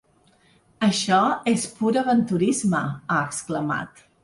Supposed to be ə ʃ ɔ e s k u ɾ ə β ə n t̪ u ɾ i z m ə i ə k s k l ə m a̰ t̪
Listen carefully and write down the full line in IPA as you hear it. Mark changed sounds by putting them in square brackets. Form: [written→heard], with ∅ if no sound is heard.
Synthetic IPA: ə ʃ ɔ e s [k→p] u ɾ ə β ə n t̪ u ɾ i z m ə [i→a] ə k s k l ə m a̰ t̪